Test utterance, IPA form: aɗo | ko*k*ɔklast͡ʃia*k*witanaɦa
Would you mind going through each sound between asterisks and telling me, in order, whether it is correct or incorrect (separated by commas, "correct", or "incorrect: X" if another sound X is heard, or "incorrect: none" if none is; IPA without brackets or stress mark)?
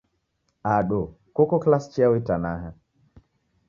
correct, incorrect: none